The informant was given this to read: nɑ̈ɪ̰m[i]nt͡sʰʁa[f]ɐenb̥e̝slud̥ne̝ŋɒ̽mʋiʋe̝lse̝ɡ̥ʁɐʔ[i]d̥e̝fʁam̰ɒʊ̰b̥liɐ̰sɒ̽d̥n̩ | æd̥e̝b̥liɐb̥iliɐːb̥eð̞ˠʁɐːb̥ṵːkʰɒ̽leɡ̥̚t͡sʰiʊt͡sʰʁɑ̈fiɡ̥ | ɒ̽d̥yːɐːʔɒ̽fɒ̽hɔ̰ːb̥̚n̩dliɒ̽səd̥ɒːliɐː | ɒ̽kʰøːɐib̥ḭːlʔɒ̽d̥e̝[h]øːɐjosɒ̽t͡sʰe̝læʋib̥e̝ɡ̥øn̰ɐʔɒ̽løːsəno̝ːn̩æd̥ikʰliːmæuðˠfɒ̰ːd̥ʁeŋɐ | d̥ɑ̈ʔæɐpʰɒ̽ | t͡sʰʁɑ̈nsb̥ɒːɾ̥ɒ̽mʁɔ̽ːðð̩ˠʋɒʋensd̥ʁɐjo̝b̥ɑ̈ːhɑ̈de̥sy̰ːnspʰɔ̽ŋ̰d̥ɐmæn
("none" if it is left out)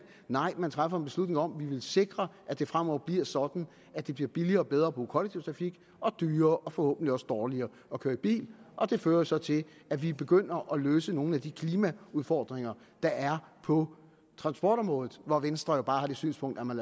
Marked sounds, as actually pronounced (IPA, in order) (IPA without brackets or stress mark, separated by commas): æ, f, æ, f